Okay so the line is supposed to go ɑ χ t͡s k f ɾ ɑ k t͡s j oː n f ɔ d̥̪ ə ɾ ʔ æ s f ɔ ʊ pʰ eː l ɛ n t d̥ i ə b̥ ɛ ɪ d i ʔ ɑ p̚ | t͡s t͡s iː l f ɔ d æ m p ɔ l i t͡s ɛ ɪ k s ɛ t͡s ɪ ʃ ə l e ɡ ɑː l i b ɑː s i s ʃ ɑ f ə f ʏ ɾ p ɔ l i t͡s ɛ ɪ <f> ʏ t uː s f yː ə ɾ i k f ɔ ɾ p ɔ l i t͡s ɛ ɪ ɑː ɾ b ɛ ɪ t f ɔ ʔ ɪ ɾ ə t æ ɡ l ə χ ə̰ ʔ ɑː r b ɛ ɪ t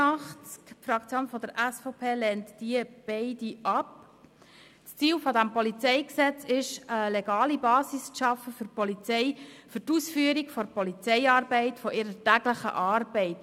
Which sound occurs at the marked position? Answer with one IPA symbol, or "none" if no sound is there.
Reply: f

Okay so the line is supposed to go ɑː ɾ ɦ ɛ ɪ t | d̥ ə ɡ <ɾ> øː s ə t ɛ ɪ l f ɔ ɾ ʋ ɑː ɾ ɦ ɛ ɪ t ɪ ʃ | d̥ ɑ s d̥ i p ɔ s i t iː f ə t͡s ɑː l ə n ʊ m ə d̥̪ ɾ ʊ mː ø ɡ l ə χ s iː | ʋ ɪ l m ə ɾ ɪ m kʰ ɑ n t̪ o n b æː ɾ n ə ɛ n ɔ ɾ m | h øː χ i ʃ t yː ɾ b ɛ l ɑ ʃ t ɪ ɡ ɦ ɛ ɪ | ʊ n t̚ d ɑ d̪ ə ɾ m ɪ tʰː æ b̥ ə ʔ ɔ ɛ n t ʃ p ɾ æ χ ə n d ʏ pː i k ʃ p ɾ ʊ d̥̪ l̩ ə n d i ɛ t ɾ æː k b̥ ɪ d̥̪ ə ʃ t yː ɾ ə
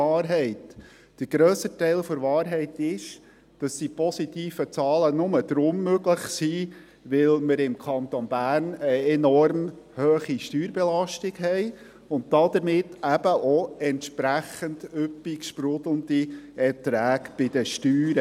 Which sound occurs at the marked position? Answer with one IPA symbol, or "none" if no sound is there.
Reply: ɾ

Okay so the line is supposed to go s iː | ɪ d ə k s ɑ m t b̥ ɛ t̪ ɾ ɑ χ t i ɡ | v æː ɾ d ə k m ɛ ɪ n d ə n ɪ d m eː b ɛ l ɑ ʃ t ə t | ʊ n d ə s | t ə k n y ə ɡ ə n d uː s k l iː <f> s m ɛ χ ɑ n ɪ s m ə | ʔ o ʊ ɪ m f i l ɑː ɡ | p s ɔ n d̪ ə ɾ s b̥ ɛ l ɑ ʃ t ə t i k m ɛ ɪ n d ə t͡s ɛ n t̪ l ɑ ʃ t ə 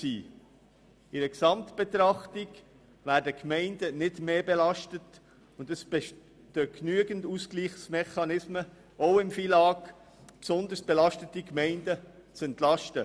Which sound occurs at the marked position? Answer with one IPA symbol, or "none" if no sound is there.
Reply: χ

